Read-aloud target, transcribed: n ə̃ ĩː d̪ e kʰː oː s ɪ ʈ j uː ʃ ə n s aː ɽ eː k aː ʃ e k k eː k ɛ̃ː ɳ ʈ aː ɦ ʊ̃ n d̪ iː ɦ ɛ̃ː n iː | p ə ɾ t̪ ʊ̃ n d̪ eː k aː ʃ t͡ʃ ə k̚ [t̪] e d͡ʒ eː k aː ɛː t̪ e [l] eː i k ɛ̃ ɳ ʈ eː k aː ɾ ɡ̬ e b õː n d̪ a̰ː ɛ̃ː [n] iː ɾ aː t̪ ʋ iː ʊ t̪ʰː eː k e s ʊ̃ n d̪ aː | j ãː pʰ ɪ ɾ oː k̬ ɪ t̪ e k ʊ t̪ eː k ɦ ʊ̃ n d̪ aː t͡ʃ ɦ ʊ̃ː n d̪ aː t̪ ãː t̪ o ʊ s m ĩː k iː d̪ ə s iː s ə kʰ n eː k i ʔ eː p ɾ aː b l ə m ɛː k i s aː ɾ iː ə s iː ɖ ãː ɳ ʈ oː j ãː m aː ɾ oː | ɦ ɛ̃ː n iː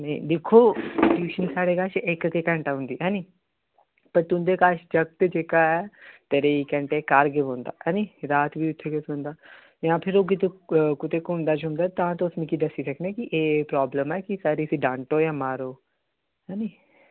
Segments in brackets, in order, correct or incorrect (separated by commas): correct, incorrect, correct